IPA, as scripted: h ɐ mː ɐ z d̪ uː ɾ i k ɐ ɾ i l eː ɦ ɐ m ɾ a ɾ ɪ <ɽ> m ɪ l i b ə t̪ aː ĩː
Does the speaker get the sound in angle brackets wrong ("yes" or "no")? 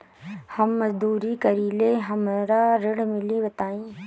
no